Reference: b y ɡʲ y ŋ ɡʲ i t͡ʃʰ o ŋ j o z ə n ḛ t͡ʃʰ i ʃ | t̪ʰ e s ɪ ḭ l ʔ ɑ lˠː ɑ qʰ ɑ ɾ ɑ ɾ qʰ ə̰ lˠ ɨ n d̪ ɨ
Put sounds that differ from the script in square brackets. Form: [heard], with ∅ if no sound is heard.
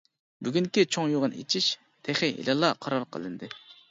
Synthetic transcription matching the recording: b y ɡʲ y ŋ [kʲ] i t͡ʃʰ o ŋ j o [ʁ] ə n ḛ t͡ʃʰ i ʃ | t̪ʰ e [χ] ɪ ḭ l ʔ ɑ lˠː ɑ qʰ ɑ ɾ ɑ ɾ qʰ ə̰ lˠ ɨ n d̪ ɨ